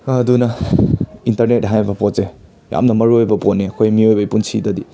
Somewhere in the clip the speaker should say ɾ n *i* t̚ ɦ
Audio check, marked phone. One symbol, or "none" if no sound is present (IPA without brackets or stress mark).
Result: e